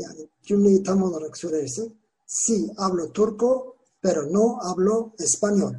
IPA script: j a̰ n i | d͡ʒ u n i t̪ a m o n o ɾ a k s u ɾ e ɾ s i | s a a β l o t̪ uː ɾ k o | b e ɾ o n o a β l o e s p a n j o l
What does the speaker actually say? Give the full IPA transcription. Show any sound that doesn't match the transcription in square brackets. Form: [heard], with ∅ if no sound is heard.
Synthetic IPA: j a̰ n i | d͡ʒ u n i t̪ a m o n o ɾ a k s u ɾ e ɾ s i | s [i] a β l o t̪ [u] ɾ k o | [p] e ɾ o n o a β l o e s p a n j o l